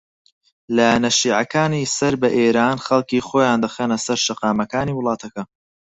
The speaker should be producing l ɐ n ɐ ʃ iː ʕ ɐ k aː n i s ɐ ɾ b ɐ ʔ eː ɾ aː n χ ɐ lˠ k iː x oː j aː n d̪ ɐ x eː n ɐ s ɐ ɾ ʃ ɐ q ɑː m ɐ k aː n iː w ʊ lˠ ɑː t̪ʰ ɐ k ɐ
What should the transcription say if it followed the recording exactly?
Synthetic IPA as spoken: l ɐ n ɐ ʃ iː ʕ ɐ k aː n i s ɐ ɾ b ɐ ʔ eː ɾ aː n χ ɐ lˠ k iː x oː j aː n d̪ ɐ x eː n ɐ s ɐ ɾ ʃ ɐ q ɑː m ɐ k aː n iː w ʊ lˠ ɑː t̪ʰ ɐ k ɐ